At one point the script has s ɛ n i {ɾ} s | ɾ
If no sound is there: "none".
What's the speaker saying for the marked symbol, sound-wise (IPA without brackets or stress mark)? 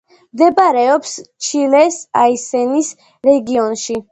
none